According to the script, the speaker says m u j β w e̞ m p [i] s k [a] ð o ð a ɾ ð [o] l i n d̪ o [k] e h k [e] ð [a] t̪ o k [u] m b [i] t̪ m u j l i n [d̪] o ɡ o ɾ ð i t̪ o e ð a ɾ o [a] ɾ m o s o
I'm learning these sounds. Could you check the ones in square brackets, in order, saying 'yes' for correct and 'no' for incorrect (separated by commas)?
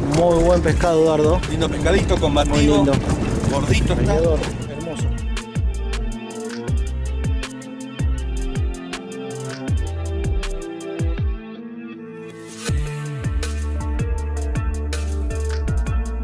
no, yes, yes, no, no, no, no, no, yes, no